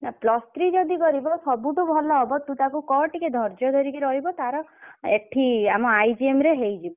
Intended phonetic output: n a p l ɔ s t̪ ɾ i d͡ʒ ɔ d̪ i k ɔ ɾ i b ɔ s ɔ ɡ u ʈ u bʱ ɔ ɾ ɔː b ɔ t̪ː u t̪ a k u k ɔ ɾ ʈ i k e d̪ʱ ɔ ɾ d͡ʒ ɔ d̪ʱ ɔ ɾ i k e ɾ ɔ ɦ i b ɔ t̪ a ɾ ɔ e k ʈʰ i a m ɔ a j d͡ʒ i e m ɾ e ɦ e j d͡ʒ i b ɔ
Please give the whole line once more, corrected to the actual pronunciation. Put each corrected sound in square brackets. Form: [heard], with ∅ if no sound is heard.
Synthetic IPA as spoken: n a p l ɔ s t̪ ɾ i d͡ʒ ɔ d̪ i k ɔ ɾ i b ɔ s ɔ [b] u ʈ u bʱ ɔ [l] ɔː b ɔ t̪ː u t̪ a k u k ɔ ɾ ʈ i k e d̪ʱ ɔ ɾ d͡ʒ ɔ d̪ʱ ɔ ɾ i k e ɾ ɔ ɦ i b ɔ t̪ a ɾ ɔ e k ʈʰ i a m ɔ a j d͡ʒ i e m ɾ e ɦ e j d͡ʒ i b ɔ

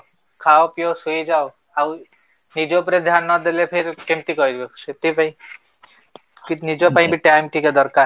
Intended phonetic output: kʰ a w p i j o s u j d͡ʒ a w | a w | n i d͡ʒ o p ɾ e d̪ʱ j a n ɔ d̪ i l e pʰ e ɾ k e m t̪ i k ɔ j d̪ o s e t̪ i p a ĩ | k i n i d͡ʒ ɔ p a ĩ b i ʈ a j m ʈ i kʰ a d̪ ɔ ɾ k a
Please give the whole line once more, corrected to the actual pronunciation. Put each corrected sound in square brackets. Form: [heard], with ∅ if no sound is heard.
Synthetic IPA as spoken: kʰ a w p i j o s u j d͡ʒ a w | a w | n i d͡ʒ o p ɾ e d̪ʱ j a n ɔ d̪ [e] l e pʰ e ɾ k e m t̪ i k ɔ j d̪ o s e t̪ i p a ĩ | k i n i d͡ʒ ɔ p a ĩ b i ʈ a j m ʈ i [k] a d̪ ɔ ɾ k a

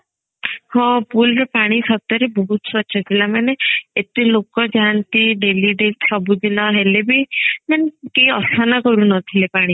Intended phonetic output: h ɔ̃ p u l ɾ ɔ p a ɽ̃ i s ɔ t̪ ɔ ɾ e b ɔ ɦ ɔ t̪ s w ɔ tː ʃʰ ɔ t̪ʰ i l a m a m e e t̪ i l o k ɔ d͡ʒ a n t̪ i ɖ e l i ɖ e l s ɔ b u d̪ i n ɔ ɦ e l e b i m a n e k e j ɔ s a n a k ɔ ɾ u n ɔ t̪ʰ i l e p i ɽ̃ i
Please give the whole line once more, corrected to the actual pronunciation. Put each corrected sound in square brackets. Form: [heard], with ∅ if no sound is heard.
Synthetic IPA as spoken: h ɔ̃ p u l ɾ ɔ p a ɽ̃ i s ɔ t̪ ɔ ɾ e b ɔ ɦ [u] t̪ s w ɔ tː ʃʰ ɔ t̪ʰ i l a m a [n] e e t̪ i l o k ɔ d͡ʒ a n t̪ i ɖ e l i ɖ e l s ɔ b u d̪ i n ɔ ɦ e l e b i m a n e k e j ɔ s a n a k ɔ ɾ u n ɔ t̪ʰ i l e p [a] ɽ̃ i

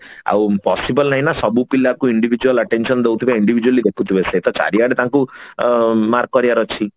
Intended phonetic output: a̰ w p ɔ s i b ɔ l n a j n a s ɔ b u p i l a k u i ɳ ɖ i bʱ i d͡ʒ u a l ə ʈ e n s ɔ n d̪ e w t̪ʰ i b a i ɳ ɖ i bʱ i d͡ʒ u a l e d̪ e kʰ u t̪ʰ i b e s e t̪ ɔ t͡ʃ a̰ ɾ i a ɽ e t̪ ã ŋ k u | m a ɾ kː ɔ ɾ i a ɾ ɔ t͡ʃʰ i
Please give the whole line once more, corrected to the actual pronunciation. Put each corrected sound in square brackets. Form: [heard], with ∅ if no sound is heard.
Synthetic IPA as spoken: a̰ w p ɔ s i b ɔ l n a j n a s ɔ b u p i l a k u i ɳ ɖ i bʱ i d͡ʒ u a l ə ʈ e n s ɔ n d̪ e w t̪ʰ i b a i ɳ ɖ i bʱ i d͡ʒ u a l [i] d̪ e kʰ u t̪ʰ i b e s e t̪ ɔ t͡ʃ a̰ ɾ i a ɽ e t̪ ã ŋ k u | m a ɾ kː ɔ ɾ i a ɾ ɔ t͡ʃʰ i

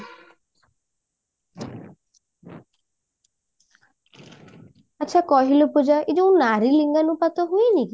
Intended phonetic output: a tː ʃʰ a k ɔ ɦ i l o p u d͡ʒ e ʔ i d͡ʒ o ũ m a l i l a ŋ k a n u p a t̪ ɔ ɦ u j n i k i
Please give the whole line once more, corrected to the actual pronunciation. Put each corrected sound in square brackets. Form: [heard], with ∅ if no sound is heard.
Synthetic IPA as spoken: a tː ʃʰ a k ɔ ɦ i l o p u d͡ʒ [a] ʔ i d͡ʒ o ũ [n] a [ɾ] i l [i] ŋ [ɡ] a n u p a t̪ ɔ ɦ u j n i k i

